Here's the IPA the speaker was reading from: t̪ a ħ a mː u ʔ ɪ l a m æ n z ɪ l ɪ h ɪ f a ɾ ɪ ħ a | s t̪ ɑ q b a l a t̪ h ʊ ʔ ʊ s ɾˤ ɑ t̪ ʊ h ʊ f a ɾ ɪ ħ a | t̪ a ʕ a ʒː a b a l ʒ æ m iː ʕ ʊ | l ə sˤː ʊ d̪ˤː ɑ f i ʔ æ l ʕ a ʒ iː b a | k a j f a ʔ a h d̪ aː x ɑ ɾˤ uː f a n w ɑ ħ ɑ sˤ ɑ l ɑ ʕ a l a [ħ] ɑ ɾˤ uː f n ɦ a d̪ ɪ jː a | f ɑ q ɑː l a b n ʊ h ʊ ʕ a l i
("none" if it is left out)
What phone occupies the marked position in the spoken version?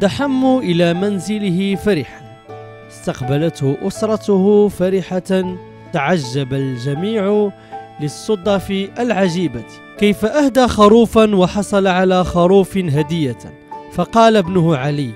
x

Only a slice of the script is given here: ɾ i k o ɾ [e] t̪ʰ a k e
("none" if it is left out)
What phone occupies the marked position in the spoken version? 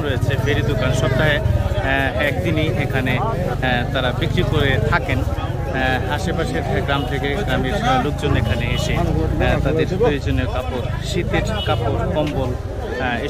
e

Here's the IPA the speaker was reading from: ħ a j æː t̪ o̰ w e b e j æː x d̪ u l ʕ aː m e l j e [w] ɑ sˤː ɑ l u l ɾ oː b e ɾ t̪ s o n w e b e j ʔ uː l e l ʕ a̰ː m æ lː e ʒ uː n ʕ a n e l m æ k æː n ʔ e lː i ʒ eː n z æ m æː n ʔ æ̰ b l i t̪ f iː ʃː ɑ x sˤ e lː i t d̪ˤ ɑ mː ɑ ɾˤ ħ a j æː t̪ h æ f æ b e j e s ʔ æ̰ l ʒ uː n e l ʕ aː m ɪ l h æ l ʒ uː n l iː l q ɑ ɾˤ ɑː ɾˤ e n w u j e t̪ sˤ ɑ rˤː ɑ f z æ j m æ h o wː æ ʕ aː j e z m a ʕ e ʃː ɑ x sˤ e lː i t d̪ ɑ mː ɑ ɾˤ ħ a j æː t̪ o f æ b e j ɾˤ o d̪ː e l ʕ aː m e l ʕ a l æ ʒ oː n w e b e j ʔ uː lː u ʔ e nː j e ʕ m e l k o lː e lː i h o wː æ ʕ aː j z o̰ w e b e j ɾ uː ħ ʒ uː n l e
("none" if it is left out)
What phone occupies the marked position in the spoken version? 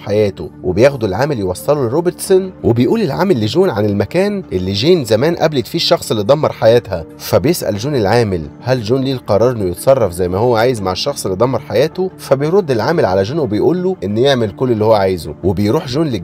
w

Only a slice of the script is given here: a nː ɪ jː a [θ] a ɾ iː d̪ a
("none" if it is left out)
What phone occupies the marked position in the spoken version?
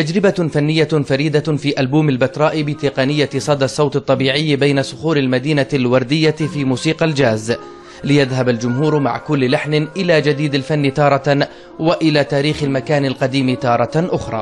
f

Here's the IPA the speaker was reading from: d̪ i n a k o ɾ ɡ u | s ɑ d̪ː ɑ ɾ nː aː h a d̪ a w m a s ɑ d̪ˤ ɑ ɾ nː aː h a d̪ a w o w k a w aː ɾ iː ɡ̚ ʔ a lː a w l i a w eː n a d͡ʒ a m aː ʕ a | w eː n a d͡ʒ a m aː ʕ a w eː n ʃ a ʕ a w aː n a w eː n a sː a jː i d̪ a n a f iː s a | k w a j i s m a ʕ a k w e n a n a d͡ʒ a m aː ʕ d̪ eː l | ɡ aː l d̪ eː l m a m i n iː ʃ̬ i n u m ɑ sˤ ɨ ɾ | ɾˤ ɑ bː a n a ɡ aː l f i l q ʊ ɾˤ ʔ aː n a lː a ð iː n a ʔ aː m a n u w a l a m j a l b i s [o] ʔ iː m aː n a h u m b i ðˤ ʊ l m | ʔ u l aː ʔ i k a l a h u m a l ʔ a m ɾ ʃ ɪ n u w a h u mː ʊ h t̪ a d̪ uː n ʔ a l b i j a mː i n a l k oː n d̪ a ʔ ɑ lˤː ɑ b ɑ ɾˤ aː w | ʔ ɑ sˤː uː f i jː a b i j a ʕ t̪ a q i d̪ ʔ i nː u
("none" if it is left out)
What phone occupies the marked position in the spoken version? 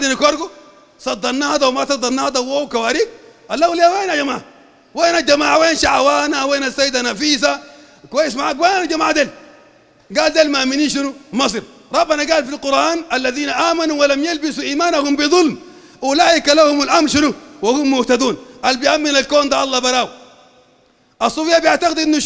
u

